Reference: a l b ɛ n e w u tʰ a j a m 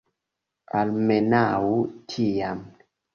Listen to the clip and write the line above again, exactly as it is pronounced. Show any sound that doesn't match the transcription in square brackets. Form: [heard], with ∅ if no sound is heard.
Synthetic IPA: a l [m] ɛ n [a] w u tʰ [i] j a m

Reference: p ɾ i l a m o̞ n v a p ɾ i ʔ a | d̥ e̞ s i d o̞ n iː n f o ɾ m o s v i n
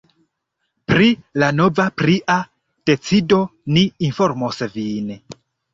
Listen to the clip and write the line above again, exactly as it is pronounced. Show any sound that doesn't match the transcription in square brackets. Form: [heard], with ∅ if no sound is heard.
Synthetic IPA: p ɾ i l a [n] o̞ [∅] v a p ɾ i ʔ a | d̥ e̞ [t͡s] i d o̞ n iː n f o ɾ m o s v i n

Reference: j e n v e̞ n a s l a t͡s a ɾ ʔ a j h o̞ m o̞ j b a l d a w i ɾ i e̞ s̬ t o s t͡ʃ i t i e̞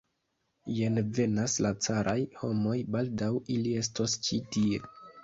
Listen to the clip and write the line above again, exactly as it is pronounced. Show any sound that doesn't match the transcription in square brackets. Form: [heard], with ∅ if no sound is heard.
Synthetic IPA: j e n v e̞ n a s l a t͡s a ɾ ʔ a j h o̞ m o̞ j b a l d a w i [l] i e̞ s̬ t o s t͡ʃ i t i e̞

